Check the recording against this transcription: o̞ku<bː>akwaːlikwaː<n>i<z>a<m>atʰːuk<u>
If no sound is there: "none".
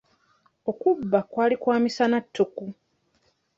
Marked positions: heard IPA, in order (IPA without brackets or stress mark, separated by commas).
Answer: bː, m, s, n, u